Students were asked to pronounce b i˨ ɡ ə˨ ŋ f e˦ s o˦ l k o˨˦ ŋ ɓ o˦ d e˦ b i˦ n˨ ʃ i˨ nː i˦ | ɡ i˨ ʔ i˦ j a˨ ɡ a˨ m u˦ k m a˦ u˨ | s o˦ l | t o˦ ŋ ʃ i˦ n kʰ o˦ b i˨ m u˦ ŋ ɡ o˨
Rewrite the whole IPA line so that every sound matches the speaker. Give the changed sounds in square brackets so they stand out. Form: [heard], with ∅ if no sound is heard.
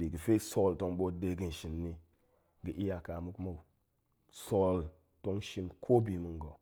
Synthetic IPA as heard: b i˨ ɡ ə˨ [∅] f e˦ s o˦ l [t] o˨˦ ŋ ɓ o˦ d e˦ [ɡ] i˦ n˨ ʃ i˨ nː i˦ | ɡ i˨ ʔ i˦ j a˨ [k] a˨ m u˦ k m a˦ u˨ | s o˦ l | t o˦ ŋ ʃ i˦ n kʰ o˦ b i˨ m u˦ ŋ ɡ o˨

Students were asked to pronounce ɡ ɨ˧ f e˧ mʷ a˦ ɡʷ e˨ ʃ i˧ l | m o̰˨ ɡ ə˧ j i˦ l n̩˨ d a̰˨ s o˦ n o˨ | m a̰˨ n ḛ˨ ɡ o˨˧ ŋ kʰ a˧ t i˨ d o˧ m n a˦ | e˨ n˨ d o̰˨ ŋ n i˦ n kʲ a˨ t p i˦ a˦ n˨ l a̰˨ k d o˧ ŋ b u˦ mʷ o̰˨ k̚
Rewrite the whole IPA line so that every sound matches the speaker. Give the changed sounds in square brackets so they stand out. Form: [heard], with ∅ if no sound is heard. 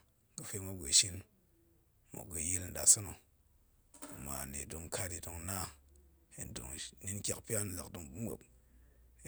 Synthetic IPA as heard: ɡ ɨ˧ f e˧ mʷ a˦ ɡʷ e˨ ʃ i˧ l | m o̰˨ ɡ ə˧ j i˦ l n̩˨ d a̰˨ s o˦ n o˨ | m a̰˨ n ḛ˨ [d] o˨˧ ŋ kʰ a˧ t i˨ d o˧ [ŋ] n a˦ | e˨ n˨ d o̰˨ ŋ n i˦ n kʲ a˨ [k] p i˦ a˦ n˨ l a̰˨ k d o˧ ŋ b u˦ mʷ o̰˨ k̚

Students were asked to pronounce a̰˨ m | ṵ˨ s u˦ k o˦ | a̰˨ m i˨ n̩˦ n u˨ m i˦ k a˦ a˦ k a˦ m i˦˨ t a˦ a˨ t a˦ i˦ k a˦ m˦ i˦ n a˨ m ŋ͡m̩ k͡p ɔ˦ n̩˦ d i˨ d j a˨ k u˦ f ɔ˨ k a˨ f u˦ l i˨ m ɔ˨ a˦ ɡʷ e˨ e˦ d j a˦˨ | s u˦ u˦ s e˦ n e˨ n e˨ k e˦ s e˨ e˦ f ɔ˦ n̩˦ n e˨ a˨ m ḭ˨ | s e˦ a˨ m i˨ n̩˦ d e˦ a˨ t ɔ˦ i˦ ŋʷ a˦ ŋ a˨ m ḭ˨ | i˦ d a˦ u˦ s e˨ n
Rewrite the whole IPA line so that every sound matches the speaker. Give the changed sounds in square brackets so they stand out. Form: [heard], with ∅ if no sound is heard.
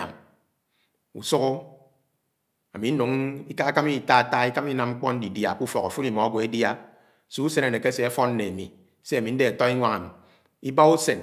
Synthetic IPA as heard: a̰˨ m | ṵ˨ s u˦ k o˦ | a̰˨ m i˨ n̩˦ n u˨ [ŋ] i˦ k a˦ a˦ k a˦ m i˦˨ t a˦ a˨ t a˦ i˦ k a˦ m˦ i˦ n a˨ m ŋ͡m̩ k͡p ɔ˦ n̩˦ d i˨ d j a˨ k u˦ f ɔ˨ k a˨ f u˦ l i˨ m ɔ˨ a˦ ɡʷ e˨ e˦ d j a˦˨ | s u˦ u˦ s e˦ n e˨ n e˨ k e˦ s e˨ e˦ f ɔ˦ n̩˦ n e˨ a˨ m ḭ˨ | s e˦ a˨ m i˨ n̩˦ d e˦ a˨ t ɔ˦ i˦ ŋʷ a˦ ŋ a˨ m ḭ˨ | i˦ [b] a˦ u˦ s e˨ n

